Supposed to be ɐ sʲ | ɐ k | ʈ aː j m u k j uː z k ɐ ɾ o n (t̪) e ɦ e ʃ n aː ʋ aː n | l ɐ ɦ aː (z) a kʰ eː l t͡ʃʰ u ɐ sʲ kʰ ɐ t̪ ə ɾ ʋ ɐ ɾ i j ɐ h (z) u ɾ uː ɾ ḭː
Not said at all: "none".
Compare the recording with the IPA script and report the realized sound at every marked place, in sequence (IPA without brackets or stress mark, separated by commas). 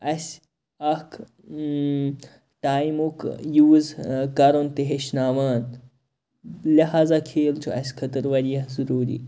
t̪, z, z